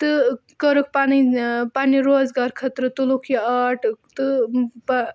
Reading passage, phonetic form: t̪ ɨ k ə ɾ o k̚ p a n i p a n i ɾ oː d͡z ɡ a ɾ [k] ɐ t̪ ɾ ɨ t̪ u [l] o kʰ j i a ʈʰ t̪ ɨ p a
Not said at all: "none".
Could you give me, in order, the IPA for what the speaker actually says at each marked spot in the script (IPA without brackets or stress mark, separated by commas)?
kʰ, l